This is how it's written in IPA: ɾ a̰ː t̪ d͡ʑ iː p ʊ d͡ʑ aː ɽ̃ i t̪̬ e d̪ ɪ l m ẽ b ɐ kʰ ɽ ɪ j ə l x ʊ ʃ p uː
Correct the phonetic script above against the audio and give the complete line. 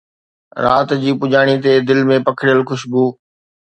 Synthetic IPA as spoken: ɾ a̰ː t̪ d͡ʑ iː p ʊ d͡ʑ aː ɽ̃ i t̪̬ e d̪ ɪ l m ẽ p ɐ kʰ ɽ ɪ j ə l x ʊ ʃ b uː